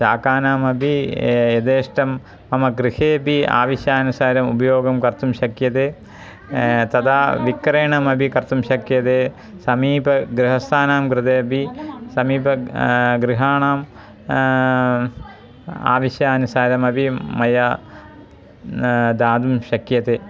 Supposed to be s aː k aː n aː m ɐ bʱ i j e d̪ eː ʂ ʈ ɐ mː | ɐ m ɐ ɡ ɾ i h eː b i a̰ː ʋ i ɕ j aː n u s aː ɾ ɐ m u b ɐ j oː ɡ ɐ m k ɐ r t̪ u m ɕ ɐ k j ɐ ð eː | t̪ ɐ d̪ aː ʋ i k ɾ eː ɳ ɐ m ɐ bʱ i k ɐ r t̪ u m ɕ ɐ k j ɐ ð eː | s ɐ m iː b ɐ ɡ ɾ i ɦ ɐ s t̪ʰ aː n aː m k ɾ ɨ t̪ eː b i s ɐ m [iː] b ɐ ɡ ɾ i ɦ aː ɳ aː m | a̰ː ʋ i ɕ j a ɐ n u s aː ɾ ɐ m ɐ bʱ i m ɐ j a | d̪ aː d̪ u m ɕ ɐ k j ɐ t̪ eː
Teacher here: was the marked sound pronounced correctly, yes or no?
yes